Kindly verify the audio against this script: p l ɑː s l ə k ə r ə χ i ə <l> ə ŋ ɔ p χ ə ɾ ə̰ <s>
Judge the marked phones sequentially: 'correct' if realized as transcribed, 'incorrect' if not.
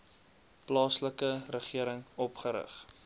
incorrect: ɾ, incorrect: χ

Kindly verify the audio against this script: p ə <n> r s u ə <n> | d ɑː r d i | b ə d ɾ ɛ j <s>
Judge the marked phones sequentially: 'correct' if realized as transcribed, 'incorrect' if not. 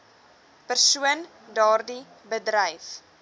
incorrect: none, correct, incorrect: f

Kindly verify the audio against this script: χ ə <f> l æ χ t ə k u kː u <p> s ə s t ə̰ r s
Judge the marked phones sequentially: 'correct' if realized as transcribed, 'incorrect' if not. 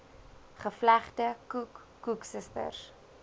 correct, incorrect: k

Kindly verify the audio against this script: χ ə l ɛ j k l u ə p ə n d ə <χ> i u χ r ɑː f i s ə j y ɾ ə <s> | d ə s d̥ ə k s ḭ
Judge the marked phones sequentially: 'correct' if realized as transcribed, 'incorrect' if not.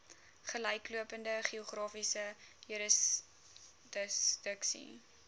correct, correct

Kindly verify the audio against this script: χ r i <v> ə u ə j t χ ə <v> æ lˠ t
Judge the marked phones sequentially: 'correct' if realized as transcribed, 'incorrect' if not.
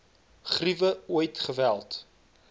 correct, correct

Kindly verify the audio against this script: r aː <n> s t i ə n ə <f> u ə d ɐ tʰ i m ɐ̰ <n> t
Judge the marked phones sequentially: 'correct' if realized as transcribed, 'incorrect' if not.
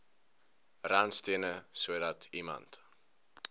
correct, incorrect: s, correct

